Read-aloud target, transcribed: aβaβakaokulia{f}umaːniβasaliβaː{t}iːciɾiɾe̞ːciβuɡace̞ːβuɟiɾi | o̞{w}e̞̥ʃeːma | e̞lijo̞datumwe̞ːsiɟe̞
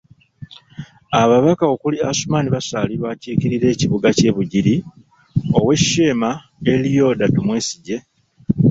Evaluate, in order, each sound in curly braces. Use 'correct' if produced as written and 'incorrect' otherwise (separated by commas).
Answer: incorrect, incorrect, correct